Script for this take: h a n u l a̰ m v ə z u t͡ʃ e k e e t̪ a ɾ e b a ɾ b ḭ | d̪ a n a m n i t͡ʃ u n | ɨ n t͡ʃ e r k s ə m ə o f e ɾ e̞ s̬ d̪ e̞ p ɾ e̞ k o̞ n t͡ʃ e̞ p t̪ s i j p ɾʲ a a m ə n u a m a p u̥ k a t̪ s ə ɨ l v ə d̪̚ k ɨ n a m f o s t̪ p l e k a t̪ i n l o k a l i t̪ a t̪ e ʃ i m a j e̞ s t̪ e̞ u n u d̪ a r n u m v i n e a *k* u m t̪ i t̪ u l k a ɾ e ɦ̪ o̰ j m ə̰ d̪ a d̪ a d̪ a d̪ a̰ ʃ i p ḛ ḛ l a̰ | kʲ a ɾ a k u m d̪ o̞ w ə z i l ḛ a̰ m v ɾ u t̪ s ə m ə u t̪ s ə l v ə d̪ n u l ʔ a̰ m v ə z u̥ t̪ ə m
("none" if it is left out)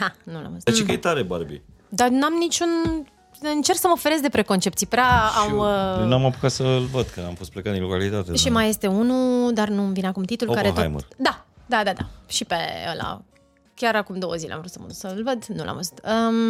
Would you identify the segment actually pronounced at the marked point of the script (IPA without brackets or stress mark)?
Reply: k